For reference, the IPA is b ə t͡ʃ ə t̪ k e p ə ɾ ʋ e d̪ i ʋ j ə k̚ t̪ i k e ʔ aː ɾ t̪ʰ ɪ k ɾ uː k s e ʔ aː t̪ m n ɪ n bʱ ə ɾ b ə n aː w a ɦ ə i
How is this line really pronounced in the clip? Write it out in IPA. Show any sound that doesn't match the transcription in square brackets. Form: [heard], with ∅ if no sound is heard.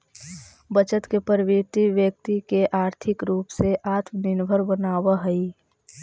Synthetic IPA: b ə t͡ʃ ə t̪ k e p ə ɾ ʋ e [t̪] i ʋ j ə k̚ t̪ i k e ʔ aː ɾ t̪ʰ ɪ k ɾ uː [p] s e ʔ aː t̪ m n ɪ n bʱ ə ɾ b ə n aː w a ɦ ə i